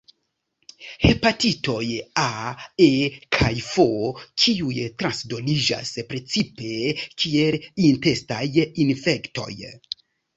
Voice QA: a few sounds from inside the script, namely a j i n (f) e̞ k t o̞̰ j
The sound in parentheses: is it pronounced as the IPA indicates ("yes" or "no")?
yes